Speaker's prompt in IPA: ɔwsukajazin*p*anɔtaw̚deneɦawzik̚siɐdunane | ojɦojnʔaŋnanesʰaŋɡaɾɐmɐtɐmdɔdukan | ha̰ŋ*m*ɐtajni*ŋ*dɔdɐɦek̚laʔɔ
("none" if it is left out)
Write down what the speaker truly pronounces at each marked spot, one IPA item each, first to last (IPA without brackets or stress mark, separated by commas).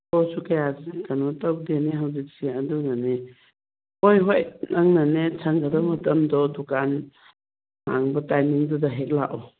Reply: k, b, ŋ